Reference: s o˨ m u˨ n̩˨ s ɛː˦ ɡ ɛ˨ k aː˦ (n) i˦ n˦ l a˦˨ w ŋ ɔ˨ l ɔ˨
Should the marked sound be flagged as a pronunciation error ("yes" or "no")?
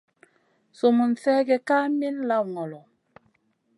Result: yes